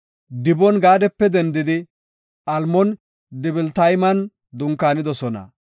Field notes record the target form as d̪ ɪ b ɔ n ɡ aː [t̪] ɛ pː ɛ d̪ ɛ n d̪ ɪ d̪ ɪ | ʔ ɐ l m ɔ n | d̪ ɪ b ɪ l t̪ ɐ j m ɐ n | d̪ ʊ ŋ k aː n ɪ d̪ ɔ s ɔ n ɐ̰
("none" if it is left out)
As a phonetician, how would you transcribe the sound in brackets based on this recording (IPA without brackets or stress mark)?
d̪